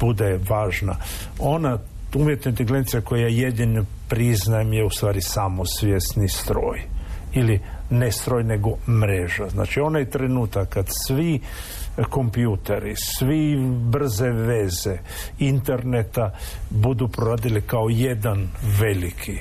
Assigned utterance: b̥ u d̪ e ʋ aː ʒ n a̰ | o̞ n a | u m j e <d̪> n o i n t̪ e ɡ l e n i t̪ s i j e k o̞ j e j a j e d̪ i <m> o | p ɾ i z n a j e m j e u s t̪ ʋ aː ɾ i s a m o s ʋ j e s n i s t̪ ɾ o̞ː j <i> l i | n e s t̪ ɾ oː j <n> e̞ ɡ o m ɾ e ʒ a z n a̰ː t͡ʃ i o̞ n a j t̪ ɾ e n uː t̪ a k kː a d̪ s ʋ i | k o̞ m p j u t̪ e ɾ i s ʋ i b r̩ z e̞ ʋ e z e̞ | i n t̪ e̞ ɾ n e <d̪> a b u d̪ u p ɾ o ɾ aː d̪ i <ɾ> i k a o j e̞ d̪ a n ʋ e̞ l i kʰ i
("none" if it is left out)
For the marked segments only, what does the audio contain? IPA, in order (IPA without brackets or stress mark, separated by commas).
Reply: t̪, n, i, n, t̪, l